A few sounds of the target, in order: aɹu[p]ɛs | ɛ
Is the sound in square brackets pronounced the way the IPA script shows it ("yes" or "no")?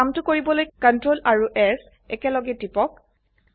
no